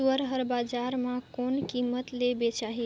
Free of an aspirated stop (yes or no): yes